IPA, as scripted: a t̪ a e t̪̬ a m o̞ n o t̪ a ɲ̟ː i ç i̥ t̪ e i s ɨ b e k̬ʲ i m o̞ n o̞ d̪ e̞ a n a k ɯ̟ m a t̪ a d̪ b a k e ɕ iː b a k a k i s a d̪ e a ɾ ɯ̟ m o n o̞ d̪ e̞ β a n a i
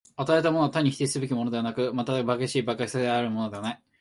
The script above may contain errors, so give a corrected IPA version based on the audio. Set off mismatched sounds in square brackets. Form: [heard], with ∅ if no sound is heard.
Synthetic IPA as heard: a t̪ a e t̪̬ a m o̞ n o t̪ a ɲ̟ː i ç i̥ t̪ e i s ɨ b e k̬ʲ i m o̞ n o̞ d̪ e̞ a n a k ɯ̟ m a t̪ a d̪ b a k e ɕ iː b a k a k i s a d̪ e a ɾ ɯ̟ m o n o̞ d̪ e̞ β a n a i